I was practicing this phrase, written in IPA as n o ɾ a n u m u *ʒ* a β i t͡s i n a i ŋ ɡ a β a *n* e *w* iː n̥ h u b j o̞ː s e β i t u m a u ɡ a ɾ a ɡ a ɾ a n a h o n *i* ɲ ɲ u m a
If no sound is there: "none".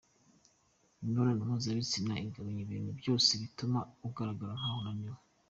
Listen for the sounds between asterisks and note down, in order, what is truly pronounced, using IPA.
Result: z, ɲ, β, a

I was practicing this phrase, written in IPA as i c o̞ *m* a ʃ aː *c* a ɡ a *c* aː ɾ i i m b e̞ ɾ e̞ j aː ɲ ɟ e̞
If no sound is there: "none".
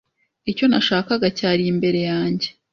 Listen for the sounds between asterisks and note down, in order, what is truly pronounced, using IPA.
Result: n, k, c

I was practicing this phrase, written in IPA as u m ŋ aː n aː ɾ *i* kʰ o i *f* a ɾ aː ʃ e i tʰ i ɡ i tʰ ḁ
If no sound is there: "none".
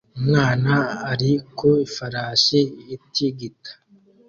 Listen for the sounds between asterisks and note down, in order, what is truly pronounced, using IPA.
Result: i, f

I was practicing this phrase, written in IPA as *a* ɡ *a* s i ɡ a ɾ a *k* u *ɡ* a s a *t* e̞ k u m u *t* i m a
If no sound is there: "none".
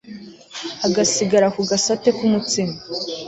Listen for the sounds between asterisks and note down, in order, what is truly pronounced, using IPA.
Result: a, a, k, ɡ, t, t͡s

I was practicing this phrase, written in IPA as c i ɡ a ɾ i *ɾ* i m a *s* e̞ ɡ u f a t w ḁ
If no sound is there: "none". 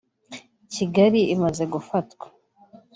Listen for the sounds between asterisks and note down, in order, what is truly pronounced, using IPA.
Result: none, z

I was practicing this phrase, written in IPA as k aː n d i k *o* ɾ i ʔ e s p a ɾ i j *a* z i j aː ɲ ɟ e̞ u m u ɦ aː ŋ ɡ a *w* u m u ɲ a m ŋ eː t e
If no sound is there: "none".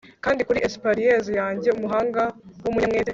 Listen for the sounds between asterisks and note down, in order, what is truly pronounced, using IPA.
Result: u, e, w

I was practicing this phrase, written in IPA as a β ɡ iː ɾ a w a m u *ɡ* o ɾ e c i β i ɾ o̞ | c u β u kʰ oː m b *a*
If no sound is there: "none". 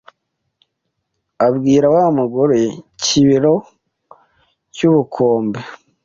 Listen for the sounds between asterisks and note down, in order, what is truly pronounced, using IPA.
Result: ɡ, e

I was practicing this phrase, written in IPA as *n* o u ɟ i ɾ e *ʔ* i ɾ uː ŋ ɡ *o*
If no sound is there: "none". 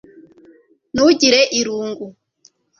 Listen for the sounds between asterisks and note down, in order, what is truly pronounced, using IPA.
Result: n, ʔ, u

